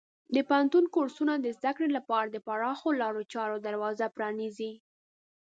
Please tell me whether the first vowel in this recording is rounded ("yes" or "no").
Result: no